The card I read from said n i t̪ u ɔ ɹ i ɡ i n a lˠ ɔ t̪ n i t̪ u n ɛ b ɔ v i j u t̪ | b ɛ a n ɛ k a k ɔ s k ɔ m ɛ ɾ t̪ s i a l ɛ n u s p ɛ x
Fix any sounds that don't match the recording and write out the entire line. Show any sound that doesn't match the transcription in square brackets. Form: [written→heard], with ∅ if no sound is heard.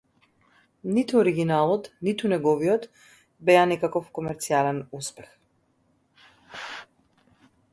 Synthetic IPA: n i t̪ u ɔ [ɹ→ɾ] i ɡ i n a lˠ ɔ t̪ n i t̪ u n ɛ [b→ɡ] ɔ v i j [u→ɔ] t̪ | b ɛ a n ɛ k a k ɔ [s→f] k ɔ m ɛ ɾ t̪ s i a l ɛ n u s p ɛ x